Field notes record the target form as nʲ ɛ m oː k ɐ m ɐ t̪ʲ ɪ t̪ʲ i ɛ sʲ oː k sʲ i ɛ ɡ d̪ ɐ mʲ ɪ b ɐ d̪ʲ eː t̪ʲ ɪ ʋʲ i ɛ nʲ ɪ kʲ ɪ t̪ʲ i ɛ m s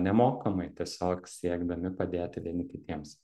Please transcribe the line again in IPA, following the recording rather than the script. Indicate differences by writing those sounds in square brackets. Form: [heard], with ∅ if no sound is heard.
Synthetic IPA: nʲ ɛ m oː k ɐ m ɐ [∅] ɪ t̪ʲ i ɛ sʲ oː k sʲ i ɛ ɡ d̪ ɐ mʲ ɪ [p] ɐ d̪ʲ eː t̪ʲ ɪ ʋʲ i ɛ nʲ ɪ kʲ ɪ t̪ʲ i ɛ m s